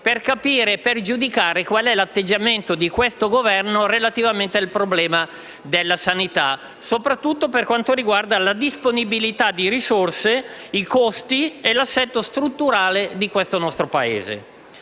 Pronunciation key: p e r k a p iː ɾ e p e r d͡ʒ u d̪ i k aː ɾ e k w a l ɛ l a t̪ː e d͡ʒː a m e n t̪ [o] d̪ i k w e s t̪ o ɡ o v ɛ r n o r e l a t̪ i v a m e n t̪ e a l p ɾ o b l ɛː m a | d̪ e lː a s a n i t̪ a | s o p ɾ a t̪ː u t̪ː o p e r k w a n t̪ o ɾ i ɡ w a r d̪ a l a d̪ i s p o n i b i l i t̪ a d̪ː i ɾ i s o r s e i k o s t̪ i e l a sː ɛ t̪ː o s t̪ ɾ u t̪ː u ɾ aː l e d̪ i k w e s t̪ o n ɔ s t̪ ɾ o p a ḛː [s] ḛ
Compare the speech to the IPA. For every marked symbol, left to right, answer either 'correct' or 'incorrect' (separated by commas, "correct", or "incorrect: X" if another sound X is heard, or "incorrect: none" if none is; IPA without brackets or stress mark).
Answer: correct, incorrect: z